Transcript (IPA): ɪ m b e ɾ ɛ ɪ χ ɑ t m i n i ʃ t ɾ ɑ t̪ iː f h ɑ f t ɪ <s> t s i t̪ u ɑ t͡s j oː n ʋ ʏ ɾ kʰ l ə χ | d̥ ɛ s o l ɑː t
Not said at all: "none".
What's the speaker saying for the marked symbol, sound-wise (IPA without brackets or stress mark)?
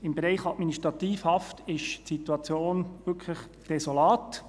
ʃ